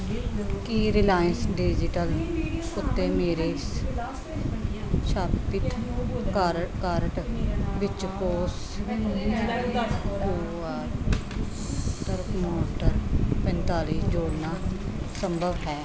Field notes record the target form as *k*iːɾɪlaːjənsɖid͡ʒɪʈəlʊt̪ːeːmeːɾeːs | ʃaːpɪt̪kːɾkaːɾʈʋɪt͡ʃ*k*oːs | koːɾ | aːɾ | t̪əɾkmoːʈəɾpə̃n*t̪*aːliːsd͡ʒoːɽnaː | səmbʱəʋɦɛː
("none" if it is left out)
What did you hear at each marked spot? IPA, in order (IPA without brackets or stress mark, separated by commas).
k, k, t̪